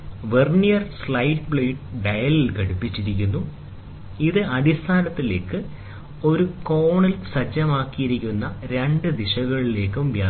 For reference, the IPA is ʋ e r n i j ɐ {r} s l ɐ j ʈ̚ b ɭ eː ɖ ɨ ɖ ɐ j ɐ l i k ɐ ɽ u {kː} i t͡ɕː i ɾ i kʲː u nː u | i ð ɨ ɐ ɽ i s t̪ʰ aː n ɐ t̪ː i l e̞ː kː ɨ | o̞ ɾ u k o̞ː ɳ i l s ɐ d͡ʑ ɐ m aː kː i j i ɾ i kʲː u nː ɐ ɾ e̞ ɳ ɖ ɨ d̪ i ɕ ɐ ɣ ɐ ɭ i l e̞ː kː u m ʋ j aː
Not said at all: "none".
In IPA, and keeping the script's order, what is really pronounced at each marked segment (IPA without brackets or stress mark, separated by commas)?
r, pː